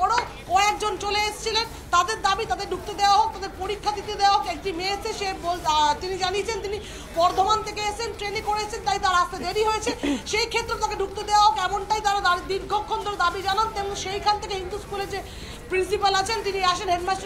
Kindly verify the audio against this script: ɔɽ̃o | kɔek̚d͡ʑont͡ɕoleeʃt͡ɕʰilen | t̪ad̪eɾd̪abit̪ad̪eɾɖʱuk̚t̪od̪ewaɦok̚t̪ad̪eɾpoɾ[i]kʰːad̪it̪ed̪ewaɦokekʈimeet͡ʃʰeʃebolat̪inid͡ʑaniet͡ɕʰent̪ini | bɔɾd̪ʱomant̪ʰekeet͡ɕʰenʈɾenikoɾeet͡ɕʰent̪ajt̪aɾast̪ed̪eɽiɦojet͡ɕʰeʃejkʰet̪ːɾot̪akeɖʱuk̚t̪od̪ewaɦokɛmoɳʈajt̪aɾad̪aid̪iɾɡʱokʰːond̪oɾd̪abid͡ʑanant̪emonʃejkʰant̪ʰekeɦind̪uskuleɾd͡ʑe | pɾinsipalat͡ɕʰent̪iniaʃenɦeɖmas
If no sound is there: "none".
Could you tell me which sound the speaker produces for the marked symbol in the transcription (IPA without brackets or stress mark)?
i